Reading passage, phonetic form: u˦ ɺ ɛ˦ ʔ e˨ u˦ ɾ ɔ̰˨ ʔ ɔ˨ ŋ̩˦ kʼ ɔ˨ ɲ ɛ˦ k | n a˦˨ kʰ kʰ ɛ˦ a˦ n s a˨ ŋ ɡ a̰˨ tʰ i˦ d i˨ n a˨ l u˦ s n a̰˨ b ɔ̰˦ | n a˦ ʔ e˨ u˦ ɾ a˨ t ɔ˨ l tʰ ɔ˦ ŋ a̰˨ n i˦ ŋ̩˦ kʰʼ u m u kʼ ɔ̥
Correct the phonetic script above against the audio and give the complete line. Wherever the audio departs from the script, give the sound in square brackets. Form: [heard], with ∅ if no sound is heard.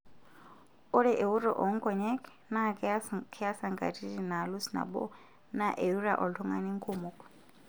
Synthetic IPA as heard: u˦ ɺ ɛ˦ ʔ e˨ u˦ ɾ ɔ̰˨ ʔ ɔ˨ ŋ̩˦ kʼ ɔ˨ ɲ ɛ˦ k | n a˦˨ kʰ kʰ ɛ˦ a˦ [∅] s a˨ ŋ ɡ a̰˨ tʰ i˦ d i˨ n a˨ l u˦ s n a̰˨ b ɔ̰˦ | n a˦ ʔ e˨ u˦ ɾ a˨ [ʔ] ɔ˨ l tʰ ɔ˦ ŋ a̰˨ n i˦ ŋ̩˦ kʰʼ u m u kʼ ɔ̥